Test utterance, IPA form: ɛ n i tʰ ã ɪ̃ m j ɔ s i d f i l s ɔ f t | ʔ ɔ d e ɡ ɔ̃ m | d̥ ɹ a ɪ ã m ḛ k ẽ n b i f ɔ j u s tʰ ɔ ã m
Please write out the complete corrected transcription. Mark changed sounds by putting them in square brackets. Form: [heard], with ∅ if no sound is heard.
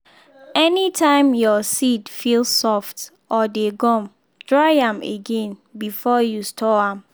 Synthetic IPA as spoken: ɛ n i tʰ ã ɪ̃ m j ɔ s i d f i l s ɔ f t | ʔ ɔ d e ɡ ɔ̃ m | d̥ ɹ a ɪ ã m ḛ [ɡ] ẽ n b i f ɔ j u s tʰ ɔ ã m